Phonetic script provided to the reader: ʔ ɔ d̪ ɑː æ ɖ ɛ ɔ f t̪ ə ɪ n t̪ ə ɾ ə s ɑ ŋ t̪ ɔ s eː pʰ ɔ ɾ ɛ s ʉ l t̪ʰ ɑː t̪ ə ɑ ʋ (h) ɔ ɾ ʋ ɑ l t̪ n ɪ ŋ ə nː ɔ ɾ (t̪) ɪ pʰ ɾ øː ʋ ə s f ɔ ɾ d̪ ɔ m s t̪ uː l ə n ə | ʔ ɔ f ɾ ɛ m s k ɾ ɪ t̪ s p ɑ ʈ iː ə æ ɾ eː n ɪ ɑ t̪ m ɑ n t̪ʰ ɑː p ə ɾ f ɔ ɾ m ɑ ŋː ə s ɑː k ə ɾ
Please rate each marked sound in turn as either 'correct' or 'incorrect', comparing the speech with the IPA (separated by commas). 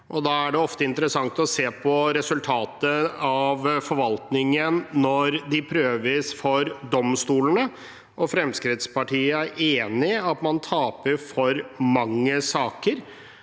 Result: incorrect, incorrect